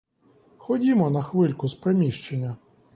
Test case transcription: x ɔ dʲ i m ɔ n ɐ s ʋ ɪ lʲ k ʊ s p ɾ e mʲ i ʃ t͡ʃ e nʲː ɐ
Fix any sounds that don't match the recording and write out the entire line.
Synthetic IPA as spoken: x ɔ dʲ i m ɔ n ɐ x ʋ ɪ lʲ k ʊ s p ɾ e mʲ i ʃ t͡ʃ e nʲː ɐ